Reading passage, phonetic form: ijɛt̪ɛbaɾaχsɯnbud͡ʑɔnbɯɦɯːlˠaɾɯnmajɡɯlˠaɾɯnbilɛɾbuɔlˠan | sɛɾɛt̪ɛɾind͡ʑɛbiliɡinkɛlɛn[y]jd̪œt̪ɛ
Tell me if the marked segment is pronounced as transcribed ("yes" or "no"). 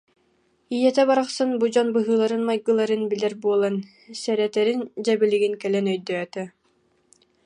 no